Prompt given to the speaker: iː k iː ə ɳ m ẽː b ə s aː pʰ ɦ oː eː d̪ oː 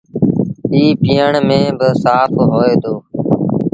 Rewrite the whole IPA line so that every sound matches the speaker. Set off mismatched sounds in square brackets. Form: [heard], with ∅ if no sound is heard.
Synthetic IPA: iː [p] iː ə ɳ m ẽː b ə s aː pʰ ɦ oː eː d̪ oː